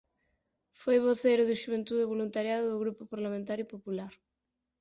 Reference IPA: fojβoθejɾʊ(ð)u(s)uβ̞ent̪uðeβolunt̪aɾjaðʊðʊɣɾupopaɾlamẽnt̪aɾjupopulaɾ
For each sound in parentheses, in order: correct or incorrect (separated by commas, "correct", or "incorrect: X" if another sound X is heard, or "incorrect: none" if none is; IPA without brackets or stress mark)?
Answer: correct, incorrect: ʃ